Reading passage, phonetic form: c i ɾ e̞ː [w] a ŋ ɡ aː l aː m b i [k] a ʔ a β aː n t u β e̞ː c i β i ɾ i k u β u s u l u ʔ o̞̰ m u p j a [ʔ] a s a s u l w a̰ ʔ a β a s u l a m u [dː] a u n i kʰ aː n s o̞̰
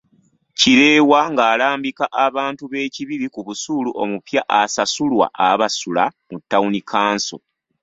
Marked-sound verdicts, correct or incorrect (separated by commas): correct, correct, correct, incorrect